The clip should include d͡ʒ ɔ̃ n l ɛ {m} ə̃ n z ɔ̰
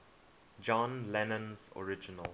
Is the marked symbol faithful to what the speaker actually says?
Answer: no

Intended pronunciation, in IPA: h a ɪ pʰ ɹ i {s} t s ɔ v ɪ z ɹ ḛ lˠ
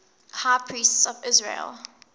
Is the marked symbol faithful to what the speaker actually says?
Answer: yes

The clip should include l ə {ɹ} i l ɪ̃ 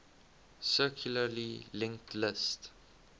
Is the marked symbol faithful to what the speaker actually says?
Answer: no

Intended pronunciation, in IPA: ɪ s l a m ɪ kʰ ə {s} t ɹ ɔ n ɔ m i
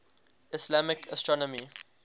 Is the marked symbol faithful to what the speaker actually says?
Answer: yes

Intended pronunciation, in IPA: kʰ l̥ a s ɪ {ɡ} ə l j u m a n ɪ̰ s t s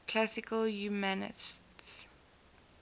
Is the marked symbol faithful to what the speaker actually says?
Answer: no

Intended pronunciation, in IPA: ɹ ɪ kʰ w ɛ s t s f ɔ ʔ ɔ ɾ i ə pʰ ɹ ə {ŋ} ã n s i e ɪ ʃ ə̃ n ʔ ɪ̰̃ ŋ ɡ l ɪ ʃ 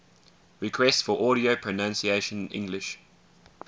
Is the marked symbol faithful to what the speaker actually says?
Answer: no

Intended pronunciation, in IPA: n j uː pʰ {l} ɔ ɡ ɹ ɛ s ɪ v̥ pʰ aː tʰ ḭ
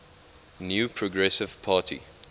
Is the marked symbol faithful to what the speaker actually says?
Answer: no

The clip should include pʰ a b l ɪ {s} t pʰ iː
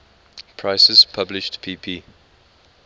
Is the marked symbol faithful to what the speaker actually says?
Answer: no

